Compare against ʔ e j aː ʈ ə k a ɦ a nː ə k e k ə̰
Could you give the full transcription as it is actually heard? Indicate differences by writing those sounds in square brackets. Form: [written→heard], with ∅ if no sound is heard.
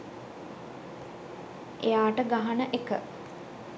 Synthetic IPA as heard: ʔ e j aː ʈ ə [k→ɡ] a ɦ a [nː→n] ə [k→ʔ] e k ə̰